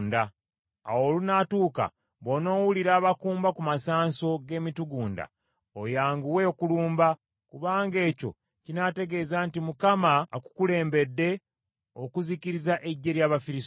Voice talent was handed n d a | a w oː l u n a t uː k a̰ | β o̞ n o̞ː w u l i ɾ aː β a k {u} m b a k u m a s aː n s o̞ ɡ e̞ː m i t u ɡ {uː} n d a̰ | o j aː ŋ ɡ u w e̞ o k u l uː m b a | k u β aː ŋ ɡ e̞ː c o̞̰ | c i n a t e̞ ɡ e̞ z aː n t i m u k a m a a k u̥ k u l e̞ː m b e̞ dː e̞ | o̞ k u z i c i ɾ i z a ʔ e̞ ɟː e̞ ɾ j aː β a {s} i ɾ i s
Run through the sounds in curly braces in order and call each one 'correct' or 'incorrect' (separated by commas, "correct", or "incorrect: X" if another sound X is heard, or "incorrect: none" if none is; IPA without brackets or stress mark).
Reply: incorrect: uː, correct, incorrect: f